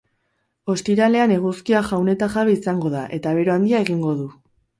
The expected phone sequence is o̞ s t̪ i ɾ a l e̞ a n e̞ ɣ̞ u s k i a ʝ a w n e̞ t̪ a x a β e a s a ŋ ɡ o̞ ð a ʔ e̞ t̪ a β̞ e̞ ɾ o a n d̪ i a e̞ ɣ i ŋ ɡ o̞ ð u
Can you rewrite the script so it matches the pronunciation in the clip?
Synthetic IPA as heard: o̞ s t̪ i ɾ a l e̞ a n e̞ ɣ̞ u s k i a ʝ a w n e̞ t̪ a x a β e i s a ŋ ɡ o̞ ð a ʔ e̞ t̪ a β̞ e̞ ɾ o a n d̪ i a e̞ ɣ i ŋ ɡ o̞ ð u